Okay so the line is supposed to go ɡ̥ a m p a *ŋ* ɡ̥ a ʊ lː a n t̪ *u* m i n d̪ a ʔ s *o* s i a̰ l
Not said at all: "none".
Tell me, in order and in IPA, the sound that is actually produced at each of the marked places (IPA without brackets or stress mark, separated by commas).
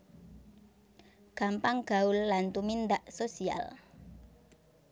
ŋ, u, o